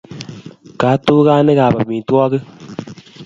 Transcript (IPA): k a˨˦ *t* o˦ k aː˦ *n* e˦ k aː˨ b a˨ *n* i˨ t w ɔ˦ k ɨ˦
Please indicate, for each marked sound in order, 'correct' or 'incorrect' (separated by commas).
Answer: correct, correct, incorrect